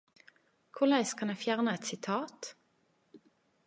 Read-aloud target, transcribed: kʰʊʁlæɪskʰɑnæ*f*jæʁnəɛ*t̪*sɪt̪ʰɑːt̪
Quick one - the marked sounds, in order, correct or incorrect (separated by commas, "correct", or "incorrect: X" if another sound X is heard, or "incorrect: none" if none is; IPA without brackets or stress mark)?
correct, correct